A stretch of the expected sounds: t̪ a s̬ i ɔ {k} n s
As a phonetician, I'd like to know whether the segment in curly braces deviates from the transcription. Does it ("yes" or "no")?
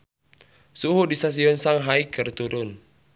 yes